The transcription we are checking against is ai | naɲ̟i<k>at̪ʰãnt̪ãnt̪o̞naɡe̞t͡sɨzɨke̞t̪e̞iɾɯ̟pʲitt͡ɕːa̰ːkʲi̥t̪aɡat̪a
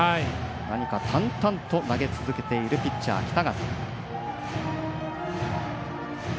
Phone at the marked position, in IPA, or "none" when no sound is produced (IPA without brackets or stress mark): k